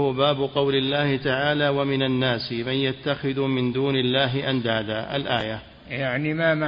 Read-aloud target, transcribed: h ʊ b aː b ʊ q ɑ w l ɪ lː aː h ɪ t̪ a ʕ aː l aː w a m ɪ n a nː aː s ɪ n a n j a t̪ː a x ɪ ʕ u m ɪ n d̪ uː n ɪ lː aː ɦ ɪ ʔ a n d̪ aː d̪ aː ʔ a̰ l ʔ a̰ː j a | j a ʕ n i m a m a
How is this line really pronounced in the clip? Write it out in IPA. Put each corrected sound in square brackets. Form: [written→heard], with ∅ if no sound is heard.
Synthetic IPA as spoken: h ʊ b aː b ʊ q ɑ w l ɪ lː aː h ɪ t̪ a ʕ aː l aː w a m ɪ n a nː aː s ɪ [n→m] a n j a t̪ː a x ɪ [ʕ→ð] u m ɪ n d̪ uː n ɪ lː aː ɦ ɪ ʔ a n d̪ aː d̪ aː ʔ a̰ l ʔ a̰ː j a | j a ʕ n i m a m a